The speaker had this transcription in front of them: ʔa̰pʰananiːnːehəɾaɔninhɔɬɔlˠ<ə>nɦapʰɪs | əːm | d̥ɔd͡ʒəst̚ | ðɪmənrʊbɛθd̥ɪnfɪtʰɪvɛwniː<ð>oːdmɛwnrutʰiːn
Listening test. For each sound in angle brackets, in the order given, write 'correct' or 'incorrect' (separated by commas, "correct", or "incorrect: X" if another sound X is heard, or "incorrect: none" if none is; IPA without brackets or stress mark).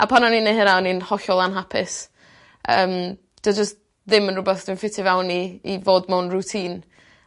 incorrect: a, incorrect: v